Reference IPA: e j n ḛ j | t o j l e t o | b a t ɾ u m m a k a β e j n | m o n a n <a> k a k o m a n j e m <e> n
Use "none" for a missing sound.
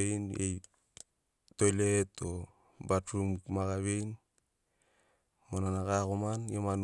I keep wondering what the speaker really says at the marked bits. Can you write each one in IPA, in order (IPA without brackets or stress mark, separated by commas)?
a, a